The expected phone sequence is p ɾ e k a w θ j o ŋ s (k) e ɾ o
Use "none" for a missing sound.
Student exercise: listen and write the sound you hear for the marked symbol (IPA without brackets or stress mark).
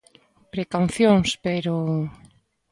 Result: p